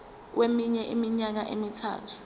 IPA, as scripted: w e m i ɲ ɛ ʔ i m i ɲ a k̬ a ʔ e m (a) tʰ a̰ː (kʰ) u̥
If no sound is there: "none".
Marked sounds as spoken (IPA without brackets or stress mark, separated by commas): i, tʰ